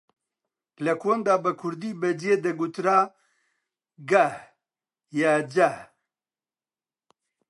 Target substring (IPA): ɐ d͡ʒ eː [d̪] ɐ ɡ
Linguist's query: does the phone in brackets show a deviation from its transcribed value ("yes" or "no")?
no